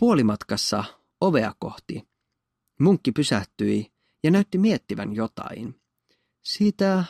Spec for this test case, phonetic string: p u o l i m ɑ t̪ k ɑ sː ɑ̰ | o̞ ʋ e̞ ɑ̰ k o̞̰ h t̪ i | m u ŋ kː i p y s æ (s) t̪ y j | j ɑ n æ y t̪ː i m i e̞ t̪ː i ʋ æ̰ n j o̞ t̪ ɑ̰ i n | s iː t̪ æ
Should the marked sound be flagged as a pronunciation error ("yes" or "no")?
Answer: yes